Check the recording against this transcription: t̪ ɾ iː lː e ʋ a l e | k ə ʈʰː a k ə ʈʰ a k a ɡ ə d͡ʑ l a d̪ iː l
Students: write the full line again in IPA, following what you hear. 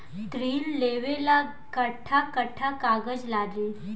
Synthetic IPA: t̪ ɾ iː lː e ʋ e l a | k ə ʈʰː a k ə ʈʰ a k a ɡ ə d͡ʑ l a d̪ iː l

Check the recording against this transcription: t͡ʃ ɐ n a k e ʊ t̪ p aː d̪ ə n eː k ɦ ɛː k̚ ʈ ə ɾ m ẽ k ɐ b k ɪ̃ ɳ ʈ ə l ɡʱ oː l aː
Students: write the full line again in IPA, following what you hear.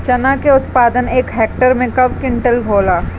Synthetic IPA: t͡ʃ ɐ n a k e ʊ t̪ p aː d̪ ə n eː k ɦ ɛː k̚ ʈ ə ɾ m ẽ k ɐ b k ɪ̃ ɳ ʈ ə l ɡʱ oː l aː

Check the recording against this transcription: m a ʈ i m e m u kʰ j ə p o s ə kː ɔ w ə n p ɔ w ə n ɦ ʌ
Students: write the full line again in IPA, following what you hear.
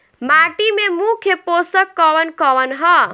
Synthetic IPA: m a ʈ i m e m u kʰ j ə p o s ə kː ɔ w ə n k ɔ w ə n ɦ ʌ

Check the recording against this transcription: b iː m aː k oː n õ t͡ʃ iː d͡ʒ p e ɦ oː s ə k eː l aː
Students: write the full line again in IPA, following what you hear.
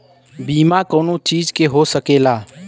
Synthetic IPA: b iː m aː k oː n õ t͡ʃ iː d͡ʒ k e ɦ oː s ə k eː l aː

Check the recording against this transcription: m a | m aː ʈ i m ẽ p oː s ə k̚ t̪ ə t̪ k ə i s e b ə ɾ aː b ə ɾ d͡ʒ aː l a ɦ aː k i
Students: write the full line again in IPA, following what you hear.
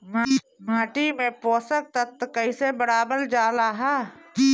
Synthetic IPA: m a | m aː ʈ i m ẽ p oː s ə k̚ t̪ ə t̪ k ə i s e b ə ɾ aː b ə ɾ d͡ʒ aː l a ɦ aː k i

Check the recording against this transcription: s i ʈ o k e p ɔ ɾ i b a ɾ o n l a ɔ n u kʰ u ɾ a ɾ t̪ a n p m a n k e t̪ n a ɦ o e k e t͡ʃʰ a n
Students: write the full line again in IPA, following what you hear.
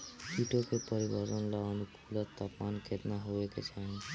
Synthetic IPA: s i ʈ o k e p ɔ ɾ i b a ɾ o n l a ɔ n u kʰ u l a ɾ t̪ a p m a n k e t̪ n a ɦ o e k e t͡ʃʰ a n

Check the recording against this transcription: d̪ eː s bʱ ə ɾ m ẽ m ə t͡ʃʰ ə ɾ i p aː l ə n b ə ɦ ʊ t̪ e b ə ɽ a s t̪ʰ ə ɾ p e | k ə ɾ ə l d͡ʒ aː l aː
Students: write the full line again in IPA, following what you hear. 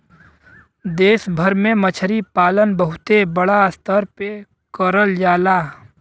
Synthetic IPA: d̪ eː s bʱ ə ɾ m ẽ m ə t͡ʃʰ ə ɾ i p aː l ə n b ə ɦ ʊ t̪ e b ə ɽ a s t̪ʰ ə ɾ p e | k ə ɾ ə l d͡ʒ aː l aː

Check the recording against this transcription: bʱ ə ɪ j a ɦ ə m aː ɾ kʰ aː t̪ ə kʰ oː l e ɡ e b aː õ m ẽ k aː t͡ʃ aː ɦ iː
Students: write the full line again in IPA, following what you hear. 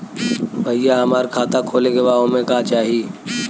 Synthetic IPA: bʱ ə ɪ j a ɦ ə m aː ɾ kʰ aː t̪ a kʰ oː l e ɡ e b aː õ m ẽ k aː t͡ʃ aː ɦ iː

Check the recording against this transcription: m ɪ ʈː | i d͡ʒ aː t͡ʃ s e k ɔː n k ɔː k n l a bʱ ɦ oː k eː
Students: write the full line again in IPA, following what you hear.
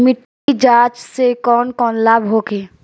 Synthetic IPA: m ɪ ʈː | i d͡ʒ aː t͡ʃ s e k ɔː n k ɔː n l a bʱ ɦ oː k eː

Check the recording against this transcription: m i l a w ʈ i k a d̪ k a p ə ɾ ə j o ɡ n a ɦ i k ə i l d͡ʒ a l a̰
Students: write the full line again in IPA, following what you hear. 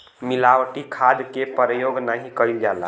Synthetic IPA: m i l a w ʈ i kʰ a d̪ k e p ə ɾ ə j o ɡ n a ɦ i k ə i l d͡ʒ a l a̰

